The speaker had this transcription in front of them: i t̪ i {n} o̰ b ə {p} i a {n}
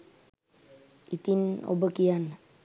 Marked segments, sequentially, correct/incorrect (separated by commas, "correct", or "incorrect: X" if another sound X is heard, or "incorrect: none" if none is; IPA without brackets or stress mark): correct, incorrect: k, correct